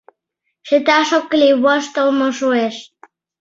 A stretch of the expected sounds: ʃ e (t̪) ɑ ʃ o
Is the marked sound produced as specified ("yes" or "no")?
yes